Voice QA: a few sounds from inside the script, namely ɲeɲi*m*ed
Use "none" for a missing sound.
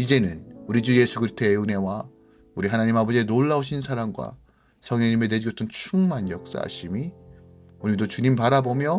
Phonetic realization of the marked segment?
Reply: m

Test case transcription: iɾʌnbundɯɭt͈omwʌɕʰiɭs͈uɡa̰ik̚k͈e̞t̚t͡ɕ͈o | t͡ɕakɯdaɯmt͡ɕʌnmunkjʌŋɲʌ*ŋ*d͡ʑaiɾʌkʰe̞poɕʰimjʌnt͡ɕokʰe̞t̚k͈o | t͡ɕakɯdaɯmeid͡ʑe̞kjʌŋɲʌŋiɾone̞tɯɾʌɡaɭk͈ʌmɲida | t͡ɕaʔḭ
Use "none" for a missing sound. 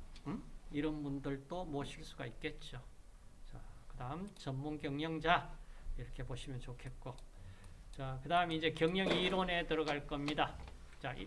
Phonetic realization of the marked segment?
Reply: ŋ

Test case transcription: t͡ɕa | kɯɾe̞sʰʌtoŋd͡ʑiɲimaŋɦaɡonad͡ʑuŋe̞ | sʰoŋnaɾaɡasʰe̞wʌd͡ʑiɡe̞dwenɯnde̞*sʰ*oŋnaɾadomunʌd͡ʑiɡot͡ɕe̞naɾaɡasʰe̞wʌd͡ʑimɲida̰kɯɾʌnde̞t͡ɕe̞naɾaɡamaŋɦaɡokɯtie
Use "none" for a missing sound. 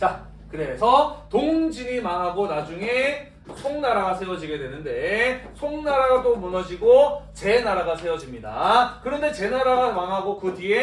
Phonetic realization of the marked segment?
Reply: sʰ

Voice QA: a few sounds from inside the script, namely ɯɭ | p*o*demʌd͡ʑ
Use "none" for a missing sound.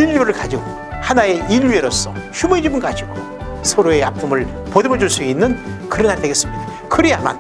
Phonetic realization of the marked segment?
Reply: o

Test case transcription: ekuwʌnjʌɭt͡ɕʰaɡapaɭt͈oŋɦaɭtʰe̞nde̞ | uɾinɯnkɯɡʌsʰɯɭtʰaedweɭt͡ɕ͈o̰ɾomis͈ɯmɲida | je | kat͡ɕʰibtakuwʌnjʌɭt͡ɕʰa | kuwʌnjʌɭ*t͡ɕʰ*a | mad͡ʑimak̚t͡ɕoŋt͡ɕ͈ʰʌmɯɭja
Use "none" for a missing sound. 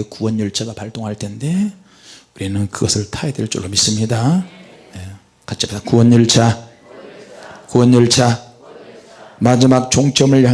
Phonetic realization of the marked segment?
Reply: t͡ɕʰ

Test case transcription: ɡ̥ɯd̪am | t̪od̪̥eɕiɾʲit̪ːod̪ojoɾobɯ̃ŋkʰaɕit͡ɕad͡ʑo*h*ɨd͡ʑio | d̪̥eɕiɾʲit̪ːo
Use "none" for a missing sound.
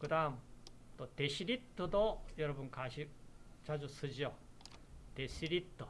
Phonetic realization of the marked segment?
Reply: s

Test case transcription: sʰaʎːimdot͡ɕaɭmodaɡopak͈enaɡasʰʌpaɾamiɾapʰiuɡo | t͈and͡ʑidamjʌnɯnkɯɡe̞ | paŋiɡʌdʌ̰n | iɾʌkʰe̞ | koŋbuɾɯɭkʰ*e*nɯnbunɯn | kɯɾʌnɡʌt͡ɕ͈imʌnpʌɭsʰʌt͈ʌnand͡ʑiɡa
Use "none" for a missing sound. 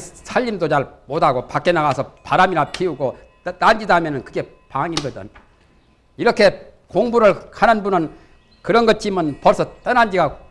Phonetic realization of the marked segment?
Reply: a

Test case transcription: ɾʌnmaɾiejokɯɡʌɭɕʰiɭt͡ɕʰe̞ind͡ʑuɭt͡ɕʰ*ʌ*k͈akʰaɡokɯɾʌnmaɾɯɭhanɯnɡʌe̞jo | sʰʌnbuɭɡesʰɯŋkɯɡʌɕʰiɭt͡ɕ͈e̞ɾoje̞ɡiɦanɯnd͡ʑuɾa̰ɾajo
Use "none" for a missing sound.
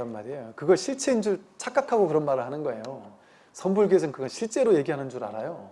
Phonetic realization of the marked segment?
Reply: a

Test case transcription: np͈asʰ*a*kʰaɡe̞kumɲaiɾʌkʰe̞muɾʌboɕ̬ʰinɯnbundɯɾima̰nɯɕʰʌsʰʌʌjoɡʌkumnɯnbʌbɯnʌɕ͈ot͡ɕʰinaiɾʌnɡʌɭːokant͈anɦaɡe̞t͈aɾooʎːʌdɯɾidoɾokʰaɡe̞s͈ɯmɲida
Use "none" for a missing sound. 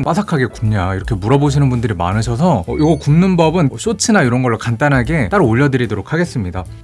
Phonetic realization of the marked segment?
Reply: a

